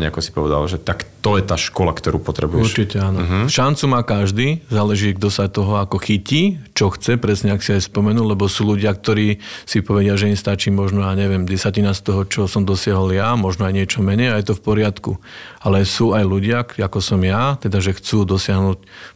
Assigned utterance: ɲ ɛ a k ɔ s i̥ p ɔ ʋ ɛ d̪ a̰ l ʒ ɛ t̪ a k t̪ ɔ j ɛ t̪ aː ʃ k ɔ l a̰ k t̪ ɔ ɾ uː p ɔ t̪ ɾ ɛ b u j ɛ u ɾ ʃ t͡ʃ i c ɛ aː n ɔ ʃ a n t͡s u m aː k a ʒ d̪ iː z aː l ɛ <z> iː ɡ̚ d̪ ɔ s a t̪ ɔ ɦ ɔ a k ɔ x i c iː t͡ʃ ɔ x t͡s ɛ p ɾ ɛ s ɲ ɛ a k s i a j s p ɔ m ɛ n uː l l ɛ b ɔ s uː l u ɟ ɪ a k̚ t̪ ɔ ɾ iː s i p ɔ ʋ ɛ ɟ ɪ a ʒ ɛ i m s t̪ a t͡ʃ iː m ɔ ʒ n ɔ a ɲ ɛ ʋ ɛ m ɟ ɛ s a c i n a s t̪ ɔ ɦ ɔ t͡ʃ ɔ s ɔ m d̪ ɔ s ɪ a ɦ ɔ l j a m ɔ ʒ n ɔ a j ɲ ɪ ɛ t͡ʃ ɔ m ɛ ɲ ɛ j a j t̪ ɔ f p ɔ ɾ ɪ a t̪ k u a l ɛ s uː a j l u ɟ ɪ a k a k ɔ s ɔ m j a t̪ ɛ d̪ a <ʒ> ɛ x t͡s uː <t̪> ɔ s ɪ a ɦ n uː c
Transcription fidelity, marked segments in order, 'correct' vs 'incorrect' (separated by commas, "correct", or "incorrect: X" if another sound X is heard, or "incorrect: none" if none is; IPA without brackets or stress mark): incorrect: ʒ, correct, incorrect: d̪